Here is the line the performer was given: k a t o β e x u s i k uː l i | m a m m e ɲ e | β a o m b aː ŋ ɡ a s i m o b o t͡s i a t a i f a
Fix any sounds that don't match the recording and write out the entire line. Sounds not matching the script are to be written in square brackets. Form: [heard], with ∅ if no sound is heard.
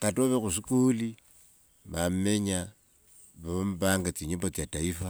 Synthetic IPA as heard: k a t o β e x u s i k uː l i | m a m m e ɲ [a] | β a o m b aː ŋ ɡ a [t͡s] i [ɲ] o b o t͡s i a t a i f a